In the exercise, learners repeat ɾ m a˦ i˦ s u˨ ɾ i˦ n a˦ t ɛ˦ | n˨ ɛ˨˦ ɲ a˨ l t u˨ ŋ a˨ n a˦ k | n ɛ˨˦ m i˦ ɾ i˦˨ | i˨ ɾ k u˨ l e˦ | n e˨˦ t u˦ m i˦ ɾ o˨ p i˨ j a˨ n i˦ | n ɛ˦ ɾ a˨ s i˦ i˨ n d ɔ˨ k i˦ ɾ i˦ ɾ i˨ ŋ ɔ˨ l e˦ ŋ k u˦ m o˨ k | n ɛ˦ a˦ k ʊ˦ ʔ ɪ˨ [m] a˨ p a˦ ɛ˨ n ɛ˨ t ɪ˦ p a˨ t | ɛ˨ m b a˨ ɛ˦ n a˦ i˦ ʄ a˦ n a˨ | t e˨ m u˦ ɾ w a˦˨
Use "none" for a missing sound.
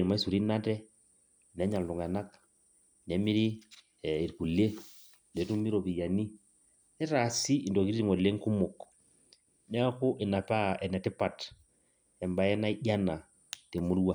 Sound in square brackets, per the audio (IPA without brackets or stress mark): n